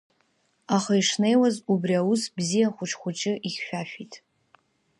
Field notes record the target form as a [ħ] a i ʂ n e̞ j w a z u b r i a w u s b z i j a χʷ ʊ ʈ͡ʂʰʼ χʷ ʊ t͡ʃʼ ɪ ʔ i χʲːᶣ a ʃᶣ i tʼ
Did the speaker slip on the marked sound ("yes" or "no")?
yes